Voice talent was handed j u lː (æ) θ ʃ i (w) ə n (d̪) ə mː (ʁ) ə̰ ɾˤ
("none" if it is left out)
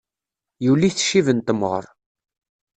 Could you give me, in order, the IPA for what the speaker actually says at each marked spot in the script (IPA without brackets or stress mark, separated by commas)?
i, v, t̪, ʁ